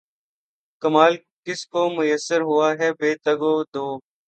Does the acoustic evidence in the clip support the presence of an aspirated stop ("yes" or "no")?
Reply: no